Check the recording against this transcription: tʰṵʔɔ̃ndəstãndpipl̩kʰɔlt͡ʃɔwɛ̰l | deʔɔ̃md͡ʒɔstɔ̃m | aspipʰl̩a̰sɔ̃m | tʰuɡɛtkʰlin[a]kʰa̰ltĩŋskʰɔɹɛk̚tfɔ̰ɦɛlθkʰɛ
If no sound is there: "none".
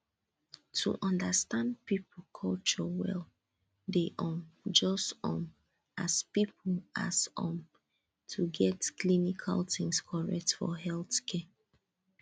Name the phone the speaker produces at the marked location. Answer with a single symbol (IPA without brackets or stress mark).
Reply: i